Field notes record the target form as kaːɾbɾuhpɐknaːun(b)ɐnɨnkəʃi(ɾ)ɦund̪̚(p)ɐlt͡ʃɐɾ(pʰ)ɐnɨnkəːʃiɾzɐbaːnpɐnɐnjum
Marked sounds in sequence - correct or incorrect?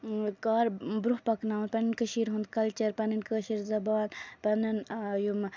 incorrect: p, correct, incorrect: k, incorrect: p

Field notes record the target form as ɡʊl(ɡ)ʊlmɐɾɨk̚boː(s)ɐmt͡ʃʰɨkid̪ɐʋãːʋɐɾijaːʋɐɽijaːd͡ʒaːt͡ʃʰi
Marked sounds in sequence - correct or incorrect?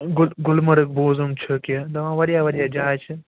correct, incorrect: z

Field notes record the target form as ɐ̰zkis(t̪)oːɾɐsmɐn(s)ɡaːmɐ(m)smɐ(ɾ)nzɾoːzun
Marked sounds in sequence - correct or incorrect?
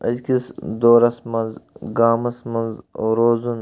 incorrect: d̪, incorrect: z, incorrect: none, incorrect: none

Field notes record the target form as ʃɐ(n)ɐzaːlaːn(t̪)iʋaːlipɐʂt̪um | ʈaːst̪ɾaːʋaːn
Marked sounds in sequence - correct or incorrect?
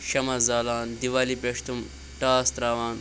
incorrect: m, incorrect: d̪

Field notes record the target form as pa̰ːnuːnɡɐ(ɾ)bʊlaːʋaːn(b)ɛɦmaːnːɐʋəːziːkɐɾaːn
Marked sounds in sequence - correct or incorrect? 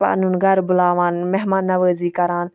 correct, incorrect: m

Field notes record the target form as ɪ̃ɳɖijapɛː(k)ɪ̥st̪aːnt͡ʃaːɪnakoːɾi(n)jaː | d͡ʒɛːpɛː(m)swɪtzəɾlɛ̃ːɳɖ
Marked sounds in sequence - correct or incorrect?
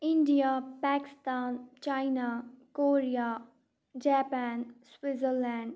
correct, incorrect: none, incorrect: n

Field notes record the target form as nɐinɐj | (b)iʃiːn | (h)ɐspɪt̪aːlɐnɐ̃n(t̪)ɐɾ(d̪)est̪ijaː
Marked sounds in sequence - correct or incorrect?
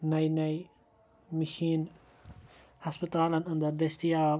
incorrect: m, correct, incorrect: d̪, correct

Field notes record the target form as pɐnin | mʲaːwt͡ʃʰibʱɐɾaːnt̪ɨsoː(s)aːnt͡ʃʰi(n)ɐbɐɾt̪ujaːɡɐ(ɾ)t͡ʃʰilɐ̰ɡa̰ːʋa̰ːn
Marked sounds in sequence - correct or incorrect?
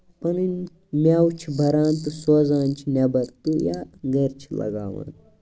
incorrect: z, correct, correct

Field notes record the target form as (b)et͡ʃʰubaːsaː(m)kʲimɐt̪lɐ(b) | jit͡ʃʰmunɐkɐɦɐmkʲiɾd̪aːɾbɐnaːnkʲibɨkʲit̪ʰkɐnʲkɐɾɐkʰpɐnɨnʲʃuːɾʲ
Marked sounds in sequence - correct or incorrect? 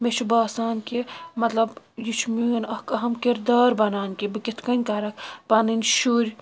incorrect: m, incorrect: n, correct

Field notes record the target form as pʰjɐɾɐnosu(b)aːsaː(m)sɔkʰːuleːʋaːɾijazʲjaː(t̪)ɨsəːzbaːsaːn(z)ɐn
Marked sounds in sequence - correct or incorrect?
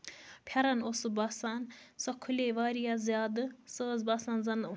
correct, incorrect: n, incorrect: d̪, correct

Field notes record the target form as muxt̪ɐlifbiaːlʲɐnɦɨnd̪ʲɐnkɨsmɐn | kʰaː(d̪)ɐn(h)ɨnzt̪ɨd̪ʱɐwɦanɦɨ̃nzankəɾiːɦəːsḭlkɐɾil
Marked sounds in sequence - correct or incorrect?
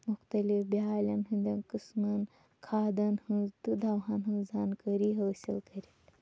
correct, correct

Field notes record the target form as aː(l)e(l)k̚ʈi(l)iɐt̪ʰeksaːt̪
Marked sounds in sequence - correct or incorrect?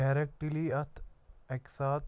incorrect: ɾ, incorrect: none, correct

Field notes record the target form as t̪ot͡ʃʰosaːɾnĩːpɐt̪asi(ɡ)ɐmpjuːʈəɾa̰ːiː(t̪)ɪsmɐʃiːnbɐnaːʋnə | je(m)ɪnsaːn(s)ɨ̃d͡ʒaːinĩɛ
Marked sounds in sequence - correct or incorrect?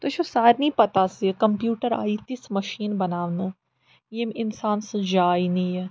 incorrect: k, correct, correct, correct

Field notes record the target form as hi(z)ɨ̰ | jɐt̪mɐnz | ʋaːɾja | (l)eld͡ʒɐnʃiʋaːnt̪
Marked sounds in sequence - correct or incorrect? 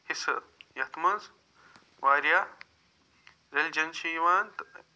incorrect: s, incorrect: ɾ

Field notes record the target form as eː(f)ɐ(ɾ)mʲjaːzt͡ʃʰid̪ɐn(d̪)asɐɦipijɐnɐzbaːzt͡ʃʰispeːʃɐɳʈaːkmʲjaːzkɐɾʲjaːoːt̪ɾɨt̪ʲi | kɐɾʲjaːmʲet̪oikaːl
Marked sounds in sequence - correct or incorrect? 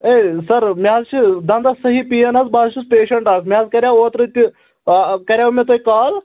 incorrect: s, correct, correct

